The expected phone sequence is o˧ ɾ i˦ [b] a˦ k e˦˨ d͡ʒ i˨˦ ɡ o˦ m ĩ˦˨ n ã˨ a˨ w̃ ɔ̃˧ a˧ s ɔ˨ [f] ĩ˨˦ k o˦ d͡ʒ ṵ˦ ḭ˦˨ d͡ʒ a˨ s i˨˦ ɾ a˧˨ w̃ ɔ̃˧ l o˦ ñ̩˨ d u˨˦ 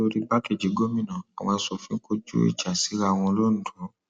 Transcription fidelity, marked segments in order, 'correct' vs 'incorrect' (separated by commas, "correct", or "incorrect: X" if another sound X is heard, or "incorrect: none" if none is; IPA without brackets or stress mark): correct, correct